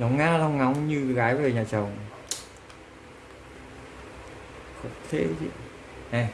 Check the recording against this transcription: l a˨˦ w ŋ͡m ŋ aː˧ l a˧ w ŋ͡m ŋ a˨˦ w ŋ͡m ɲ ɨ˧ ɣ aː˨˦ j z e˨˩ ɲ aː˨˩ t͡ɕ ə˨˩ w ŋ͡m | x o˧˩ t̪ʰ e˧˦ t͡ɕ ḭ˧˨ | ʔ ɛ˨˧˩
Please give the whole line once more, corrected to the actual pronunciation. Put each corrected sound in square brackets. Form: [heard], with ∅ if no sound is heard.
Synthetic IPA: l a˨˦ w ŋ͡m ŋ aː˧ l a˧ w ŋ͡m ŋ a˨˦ w ŋ͡m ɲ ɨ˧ ɣ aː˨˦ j [v] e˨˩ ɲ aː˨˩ t͡ɕ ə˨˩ w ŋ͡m | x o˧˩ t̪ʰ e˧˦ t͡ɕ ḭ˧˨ | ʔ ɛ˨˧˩